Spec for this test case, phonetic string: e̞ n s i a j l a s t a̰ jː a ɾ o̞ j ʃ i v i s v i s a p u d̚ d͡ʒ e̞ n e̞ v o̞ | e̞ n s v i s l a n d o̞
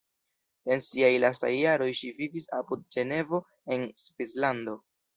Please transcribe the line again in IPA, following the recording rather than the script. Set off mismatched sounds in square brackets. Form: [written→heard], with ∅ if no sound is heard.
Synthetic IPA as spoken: e̞ n s i a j l a s t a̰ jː a ɾ o̞ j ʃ i v i [s→∅] v i s a p u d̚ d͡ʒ e̞ n e̞ v o̞ | e̞ n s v i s l a n d o̞

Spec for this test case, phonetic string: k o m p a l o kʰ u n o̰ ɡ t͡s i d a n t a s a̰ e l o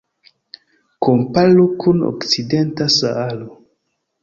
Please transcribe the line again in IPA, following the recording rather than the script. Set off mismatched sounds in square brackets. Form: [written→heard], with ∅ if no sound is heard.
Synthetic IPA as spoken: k o m p a l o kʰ u n o̰ [ɡ→k] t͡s i d [a→e] n t a s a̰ [e→a] l o

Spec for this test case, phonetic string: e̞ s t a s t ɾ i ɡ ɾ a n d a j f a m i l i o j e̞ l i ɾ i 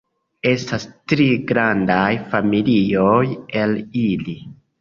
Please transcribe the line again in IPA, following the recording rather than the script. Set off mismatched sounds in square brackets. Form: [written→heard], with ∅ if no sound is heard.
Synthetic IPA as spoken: e̞ s t a s t ɾ i ɡ ɾ a n d a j f a m i l i o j e̞ l i [ɾ→l] i

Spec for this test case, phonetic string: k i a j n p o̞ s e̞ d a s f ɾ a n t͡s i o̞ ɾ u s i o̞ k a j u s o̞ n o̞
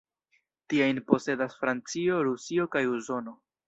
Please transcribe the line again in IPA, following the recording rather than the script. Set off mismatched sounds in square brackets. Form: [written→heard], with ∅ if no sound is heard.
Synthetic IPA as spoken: [k→t] i a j n p o̞ s e̞ d a s f ɾ a n t͡s i o̞ ɾ u s i o̞ k a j u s o̞ n o̞

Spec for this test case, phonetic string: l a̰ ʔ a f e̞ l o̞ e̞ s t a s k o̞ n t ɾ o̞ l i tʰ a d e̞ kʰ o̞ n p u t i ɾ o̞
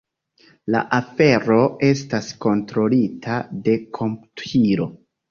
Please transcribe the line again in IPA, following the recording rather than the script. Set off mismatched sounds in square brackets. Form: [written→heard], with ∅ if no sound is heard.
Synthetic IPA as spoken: l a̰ ʔ a f e̞ [l→ɾ] o̞ e̞ s t a s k o̞ n t ɾ o̞ l i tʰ a d e̞ kʰ o̞ [n→m] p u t i ɾ o̞

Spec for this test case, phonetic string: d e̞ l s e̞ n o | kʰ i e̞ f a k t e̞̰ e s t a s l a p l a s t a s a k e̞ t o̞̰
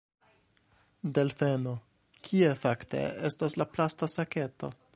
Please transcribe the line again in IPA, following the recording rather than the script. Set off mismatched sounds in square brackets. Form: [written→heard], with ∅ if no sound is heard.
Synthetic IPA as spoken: d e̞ l [s→f] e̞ n o | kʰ i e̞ f a k t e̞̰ e s t a s l a p l a s t a s a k e̞ t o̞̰

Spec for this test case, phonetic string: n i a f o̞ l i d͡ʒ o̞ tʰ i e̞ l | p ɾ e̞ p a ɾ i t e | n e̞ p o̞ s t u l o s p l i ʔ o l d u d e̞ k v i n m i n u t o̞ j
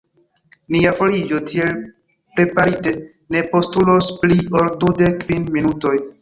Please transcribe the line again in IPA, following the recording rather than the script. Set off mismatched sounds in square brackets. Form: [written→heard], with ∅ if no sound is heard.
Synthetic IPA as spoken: n i a f o̞ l i d͡ʒ o̞ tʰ i e̞ l | p ɾ e̞ p a ɾ i t e | n e̞ p o̞ s t u l o s p l i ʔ o l d u d e̞ k v i n m i n u t o̞ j

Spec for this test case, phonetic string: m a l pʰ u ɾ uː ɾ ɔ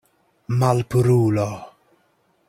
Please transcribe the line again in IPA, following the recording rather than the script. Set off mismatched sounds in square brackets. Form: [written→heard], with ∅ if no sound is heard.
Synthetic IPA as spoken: m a l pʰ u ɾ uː [ɾ→l] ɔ

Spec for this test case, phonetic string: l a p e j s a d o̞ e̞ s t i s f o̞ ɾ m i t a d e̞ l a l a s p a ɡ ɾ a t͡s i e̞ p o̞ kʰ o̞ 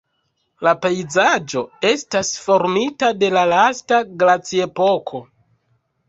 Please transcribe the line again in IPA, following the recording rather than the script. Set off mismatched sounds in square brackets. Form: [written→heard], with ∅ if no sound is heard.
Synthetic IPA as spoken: l a p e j [s→z] a [d→d͡ʒ] o̞ e̞ s t [i→a] s f o̞ ɾ m i t a d e̞ l a l a s [p→t] a ɡ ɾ a t͡s i e̞ p o̞ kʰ o̞

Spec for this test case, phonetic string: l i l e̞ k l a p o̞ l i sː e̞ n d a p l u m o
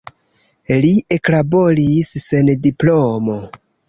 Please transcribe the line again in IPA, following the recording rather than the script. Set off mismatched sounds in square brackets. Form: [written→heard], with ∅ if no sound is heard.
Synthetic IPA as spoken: l i [l→∅] e̞ k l a [p→b] o̞ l i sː e̞ n d [a→i] p l [u→o] m o

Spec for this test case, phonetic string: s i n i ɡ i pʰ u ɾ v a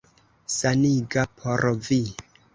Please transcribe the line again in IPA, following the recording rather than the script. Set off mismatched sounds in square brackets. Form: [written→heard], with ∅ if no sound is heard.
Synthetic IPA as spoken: s [i→a] n i ɡ [i→a] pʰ [u→o] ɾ v [a→i]

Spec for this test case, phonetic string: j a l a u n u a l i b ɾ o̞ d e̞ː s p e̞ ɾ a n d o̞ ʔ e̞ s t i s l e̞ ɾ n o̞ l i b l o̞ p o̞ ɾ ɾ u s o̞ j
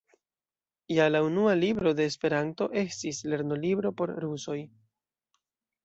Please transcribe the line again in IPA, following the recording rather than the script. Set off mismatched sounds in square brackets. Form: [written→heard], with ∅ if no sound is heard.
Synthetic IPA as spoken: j a l a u n u a l i b ɾ o̞ d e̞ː s p e̞ ɾ a n [d→t] o̞ ʔ e̞ s t i s l e̞ ɾ n o̞ l i b [l→ɾ] o̞ p o̞ ɾ ɾ u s o̞ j

